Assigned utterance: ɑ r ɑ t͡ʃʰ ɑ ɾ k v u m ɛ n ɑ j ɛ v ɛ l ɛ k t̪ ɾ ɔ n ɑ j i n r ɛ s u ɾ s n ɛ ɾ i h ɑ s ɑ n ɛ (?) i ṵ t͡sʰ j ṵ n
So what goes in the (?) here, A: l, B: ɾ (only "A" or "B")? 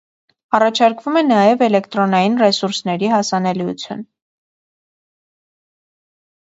A